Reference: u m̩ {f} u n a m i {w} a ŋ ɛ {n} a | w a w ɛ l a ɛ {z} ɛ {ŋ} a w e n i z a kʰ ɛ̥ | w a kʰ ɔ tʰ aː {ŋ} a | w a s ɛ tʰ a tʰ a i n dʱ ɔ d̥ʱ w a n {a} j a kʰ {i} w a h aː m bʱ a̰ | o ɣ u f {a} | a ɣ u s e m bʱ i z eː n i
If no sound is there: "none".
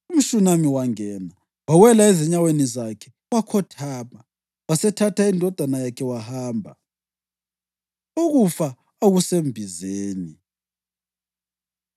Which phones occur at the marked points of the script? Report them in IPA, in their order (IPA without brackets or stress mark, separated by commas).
ʃ, w, n, z, ɲ, m, a, ɛ, a